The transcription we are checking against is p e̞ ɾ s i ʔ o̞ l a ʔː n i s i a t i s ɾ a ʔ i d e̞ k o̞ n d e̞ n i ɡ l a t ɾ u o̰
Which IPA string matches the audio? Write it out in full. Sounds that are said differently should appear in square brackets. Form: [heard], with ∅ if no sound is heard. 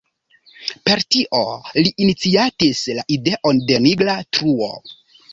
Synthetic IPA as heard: p e̞ ɾ [t] i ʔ o̞ l [i] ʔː n i [t͡s] i a t i s [l] a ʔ i d e̞ [ʔ] o̞ n d e̞ n i ɡ l a t ɾ u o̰